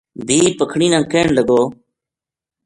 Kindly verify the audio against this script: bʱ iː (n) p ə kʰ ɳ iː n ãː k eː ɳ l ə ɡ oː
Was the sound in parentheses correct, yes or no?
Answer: no